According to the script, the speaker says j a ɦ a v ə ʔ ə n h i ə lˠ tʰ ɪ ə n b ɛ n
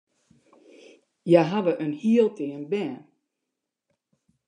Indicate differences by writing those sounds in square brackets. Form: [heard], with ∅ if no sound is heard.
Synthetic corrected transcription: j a ɦ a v ə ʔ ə n h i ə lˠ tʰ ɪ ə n b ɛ n

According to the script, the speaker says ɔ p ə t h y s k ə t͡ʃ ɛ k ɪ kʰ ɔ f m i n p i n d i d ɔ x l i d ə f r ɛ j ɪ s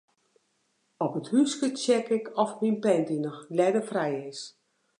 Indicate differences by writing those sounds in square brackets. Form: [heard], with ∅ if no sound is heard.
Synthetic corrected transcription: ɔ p ə t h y s k ə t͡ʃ ɛ k ɪ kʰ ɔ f m i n p [ɛ] n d i [n] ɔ x l [ɛ] d ə f r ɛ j ɪ s

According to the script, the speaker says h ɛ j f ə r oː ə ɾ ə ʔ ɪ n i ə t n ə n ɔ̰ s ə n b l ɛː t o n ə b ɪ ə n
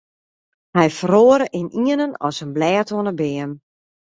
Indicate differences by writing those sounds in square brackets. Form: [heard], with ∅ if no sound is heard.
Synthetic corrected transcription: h ɛ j f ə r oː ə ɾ ə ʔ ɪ n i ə [∅] n ə n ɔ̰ s ə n b l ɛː t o n ə b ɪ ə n

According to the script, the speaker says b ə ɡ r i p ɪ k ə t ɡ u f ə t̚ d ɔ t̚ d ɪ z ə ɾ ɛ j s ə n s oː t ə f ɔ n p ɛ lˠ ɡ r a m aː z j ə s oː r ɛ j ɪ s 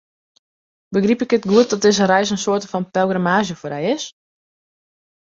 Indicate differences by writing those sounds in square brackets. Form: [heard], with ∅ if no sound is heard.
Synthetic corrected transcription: b ə ɡ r i p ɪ k ə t ɡ u [∅] ə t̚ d ɔ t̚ d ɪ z ə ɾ ɛ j s ə n s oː t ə f ɔ n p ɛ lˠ ɡ r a m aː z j ə [f] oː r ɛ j ɪ s

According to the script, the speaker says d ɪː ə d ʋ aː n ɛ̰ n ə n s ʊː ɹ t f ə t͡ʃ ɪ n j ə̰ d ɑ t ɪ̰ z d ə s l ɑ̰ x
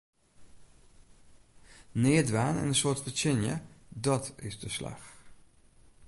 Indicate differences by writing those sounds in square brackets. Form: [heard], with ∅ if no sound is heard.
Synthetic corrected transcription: [n] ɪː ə d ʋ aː n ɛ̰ n ə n s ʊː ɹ t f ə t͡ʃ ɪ n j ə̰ d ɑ t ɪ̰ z d ə s l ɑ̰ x

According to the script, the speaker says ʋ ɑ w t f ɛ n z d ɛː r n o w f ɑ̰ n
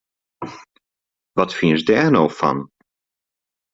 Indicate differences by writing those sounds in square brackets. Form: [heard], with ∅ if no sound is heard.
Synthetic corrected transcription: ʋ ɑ [∅] t f [i] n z d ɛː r n o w f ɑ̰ n

